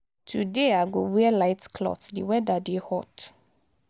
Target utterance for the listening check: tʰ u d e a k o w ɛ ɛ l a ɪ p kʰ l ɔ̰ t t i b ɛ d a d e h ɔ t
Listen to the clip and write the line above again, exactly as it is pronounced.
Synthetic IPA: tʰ u d e a ɡ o w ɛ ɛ l a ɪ t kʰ l ɔ̰ t d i w ɛ d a d e h ɔ t